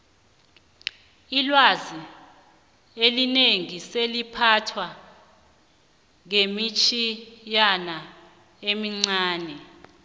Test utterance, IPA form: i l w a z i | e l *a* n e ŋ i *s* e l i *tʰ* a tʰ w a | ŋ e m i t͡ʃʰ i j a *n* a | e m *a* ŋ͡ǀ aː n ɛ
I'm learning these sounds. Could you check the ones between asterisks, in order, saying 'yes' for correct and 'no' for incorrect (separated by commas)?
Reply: no, yes, no, yes, no